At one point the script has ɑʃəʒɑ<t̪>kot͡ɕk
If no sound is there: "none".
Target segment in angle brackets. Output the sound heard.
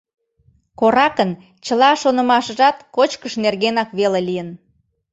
t̪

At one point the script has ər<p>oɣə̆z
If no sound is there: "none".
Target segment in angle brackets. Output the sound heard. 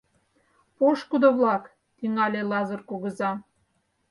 k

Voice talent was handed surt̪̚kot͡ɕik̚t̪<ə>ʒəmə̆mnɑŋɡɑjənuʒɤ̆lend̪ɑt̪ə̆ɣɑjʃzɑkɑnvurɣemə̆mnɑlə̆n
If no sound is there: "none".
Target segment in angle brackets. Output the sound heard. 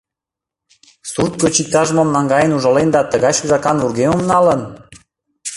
ɑ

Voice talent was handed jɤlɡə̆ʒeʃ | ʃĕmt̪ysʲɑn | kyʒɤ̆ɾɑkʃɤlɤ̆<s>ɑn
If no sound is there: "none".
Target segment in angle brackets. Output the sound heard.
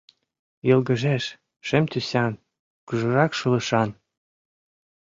ʃ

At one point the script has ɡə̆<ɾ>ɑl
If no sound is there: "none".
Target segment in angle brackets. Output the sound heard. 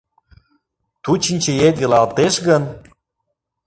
l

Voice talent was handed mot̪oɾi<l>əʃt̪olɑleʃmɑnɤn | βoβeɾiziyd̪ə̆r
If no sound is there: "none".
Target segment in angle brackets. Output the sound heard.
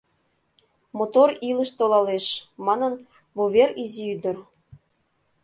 l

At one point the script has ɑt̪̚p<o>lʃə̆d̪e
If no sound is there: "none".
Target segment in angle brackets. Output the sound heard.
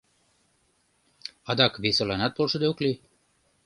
o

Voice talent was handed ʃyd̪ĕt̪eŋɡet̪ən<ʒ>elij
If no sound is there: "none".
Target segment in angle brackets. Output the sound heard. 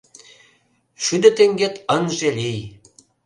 ʒ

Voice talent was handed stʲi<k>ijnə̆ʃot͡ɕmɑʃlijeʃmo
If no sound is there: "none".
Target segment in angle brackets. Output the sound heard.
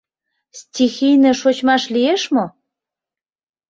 x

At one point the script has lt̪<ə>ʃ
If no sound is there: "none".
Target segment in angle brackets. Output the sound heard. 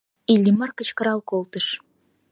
ə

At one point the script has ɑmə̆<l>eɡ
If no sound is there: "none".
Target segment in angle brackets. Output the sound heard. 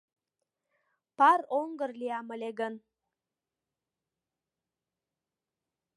l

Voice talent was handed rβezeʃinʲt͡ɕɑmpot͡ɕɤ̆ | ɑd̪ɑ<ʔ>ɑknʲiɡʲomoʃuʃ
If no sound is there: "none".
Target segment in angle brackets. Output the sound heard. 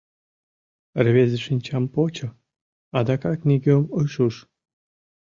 k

